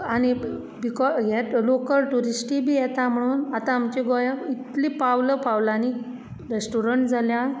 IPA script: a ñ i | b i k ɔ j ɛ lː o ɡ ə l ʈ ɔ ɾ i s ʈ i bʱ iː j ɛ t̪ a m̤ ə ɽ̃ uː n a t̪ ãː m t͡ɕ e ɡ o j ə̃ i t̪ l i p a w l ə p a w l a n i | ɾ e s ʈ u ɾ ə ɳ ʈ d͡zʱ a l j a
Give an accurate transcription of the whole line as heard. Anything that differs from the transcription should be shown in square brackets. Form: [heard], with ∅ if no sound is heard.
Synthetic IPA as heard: a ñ i | b i k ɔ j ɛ [l] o [k] ə l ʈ [u] ɾ i s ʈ i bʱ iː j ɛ t̪ a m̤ ə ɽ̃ uː n a t̪ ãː m t͡ɕ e ɡ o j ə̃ i t̪ l i p a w l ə p a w l a n i | ɾ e s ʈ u ɾ ə ɳ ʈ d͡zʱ a l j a